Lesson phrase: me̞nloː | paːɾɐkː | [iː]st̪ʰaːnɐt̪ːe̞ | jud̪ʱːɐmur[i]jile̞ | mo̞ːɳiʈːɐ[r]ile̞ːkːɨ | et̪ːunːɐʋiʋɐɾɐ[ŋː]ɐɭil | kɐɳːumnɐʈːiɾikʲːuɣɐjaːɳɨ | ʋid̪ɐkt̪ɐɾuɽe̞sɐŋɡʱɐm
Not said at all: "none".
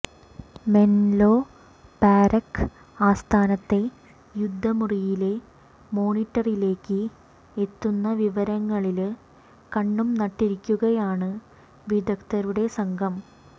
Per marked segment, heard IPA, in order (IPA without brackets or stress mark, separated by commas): aː, i, r, ŋː